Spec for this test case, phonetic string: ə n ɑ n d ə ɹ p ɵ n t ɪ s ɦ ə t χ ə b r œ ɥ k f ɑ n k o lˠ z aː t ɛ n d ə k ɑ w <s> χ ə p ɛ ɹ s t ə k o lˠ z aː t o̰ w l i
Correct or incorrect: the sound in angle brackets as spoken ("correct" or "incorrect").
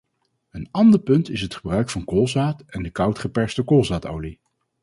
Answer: incorrect